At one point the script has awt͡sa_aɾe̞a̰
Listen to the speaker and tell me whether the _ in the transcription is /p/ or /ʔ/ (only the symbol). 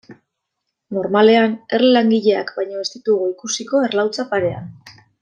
p